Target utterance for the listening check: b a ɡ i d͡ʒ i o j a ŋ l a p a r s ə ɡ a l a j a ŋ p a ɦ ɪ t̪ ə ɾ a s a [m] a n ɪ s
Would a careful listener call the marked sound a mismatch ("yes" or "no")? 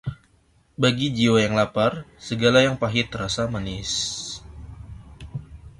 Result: no